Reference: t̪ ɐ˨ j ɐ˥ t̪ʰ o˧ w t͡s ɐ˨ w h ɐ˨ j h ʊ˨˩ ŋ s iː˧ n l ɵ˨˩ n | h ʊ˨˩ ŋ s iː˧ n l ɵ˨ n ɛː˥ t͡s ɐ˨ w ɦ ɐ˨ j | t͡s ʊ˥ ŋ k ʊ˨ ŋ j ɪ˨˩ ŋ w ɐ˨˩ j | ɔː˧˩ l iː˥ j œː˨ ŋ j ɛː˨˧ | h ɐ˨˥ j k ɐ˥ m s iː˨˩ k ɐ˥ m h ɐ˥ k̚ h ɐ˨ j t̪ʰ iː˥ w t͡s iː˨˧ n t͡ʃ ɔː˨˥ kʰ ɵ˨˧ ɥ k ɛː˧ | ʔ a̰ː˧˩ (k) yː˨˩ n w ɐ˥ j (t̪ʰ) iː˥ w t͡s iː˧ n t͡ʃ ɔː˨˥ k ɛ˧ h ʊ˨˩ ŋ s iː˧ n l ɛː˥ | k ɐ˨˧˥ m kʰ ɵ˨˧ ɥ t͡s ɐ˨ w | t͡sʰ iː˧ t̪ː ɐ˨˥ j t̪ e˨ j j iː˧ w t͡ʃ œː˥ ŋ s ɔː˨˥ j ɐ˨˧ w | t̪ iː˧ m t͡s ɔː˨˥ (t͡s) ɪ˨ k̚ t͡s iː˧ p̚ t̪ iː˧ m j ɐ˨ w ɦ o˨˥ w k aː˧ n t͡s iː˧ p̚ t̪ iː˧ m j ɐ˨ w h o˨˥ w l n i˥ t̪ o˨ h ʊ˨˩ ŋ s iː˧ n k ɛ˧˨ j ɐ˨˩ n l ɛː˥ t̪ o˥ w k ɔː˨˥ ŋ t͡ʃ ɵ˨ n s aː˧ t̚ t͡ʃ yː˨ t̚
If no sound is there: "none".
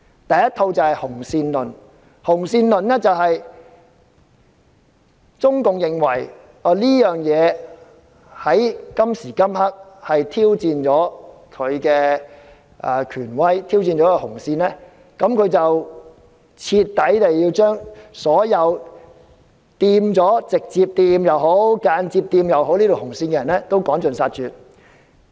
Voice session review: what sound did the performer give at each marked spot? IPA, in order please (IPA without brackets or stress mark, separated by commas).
kʰ, t̪ʰ, t͡s